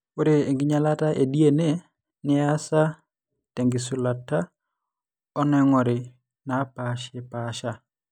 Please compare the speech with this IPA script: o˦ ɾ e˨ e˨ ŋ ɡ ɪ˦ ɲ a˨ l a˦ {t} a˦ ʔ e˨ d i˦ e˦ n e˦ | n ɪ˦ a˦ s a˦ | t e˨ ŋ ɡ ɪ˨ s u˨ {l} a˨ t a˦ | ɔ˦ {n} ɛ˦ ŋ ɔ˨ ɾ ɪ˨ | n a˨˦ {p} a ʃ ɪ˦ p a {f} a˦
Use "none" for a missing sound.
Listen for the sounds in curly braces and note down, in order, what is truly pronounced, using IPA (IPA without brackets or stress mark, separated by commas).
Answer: t, l, n, p, ʃ